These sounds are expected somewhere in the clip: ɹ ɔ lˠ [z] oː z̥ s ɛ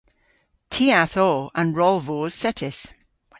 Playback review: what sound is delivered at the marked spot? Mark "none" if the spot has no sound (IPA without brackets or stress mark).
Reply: v